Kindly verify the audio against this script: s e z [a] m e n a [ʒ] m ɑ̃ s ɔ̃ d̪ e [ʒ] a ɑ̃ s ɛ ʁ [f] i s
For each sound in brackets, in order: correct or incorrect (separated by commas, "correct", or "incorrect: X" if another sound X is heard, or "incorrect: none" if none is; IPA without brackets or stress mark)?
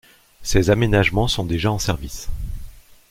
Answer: correct, correct, correct, incorrect: v